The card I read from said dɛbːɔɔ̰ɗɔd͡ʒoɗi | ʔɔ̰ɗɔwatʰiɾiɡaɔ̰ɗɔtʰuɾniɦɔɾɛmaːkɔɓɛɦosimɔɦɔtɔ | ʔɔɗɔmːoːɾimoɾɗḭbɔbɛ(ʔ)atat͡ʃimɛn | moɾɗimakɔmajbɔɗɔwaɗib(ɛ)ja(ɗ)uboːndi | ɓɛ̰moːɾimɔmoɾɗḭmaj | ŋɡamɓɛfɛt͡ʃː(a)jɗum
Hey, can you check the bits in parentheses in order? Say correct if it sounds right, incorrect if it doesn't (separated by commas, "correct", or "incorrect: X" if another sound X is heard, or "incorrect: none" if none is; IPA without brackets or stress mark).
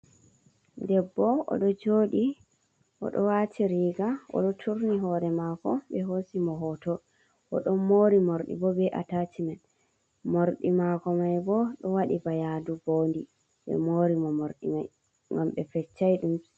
correct, incorrect: a, incorrect: d, correct